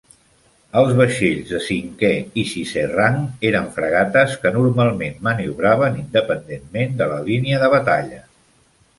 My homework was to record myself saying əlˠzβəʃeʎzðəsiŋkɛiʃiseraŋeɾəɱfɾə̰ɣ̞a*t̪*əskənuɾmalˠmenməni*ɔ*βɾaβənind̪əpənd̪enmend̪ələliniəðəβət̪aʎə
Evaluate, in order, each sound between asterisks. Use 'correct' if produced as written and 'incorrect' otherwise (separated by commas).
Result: correct, incorrect